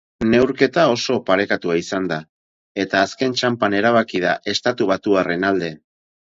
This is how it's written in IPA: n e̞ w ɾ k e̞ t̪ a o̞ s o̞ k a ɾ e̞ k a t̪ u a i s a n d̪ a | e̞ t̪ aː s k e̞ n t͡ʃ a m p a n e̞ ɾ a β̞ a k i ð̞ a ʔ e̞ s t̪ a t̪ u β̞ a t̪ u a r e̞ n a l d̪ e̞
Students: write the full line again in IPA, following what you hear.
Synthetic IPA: n e̞ w ɾ k e̞ t̪ a o̞ s o̞ p a ɾ e̞ k a t̪ u a i s a n d̪ a | e̞ t̪ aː s k e̞ n t͡ʃ a m p a n e̞ ɾ a β̞ a k i ð̞ a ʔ e̞ s t̪ a t̪ u β̞ a t̪ u a r e̞ n a l d̪ e̞